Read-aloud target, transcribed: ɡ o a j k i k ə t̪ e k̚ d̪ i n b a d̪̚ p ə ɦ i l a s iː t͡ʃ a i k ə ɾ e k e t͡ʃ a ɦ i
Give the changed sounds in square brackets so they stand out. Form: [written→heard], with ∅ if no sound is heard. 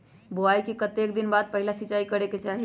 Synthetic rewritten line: [ɡ→b] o a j k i k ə t̪ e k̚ d̪ i n b a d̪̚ p ə ɦ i l a s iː t͡ʃ a i k ə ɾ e k e t͡ʃ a ɦ i

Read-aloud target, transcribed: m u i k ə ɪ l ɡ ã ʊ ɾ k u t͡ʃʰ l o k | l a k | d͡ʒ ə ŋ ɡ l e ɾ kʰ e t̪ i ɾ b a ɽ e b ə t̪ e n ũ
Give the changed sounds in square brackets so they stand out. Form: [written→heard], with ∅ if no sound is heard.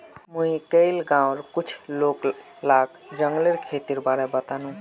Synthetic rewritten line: m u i k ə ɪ l ɡ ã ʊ ɾ k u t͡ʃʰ l o k | l a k | d͡ʒ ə ŋ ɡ l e ɾ kʰ e t̪ i ɾ b a [ɽ→ɾ] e b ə t̪ [e→a] n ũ

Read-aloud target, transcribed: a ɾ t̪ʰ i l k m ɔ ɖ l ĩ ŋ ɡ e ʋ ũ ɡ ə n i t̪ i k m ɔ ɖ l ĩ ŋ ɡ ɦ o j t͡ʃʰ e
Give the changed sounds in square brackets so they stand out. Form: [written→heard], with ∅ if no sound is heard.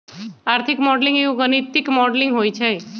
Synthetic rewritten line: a ɾ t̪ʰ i [l→∅] k m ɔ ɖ l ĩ ŋ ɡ e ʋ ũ ɡ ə n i t̪ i k m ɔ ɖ l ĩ ŋ ɡ ɦ o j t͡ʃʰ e

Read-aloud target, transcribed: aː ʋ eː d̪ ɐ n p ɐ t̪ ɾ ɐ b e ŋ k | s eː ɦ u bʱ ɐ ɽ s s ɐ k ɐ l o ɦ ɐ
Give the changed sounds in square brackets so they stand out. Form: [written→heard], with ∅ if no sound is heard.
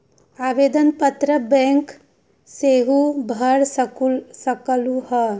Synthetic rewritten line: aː ʋ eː d̪ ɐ n p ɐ t̪ ɾ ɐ b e ŋ k | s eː ɦ u bʱ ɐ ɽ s s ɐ k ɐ l [o→u] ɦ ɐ

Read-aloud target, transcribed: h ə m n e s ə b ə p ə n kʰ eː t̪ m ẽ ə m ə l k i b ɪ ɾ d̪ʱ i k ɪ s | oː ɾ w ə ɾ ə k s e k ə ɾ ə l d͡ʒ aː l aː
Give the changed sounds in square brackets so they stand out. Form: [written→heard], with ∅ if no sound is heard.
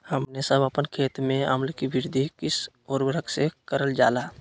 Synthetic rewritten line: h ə m n e s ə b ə p ə n kʰ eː t̪ m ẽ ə m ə l k i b ɪ ɾ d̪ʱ i k ɪ s | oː ɾ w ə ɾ ə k s e k ə ɾ ə l d͡ʒ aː l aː

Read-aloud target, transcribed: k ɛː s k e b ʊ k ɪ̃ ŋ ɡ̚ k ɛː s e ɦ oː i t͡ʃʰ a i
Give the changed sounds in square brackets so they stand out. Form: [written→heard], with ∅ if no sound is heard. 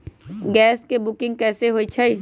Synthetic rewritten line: [k→ɡ] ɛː s k e b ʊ k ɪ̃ ŋ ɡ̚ k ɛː s e ɦ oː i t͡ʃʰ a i

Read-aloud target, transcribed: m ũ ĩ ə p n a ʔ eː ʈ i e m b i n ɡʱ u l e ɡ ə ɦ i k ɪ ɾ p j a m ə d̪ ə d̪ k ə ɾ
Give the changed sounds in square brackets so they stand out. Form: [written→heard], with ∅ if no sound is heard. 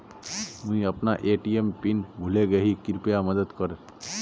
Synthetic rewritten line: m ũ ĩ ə p n a ʔ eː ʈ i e m [b→p] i n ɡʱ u l e ɡ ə ɦ i k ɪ ɾ p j a m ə d̪ ə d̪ k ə ɾ

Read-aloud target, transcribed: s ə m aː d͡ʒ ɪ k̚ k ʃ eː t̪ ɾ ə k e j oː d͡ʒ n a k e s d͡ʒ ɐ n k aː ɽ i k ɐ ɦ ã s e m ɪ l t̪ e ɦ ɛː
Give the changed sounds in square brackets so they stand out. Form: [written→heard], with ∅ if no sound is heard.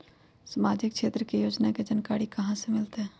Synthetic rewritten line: s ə m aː d͡ʒ ɪ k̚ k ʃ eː t̪ ɾ ə k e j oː d͡ʒ n a k e [s→∅] d͡ʒ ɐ n k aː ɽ i k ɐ ɦ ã s e m ɪ l t̪ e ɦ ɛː

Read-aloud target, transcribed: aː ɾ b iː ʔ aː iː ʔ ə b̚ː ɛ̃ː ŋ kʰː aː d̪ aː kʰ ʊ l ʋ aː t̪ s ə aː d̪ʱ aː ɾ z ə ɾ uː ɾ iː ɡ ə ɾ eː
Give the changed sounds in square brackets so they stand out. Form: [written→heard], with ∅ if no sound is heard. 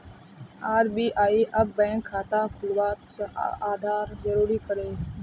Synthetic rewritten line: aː ɾ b iː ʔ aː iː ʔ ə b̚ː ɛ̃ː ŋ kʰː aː [d̪→t̪] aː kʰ ʊ l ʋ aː t̪ s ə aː d̪ʱ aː ɾ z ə ɾ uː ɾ iː [ɡ→k] ə ɾ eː

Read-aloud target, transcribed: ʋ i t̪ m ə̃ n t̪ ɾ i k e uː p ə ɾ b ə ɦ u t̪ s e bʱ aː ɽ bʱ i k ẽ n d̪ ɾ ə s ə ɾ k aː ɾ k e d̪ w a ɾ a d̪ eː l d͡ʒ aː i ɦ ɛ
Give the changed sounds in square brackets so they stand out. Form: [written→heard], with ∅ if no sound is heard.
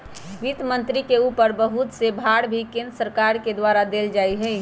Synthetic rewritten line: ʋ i t̪ m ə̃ n t̪ ɾ i k e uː p ə ɾ b ə ɦ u t̪ s e bʱ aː ɽ bʱ i k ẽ n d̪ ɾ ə s ə ɾ k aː ɾ k e d̪ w a ɾ a d̪ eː l d͡ʒ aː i ɦ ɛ

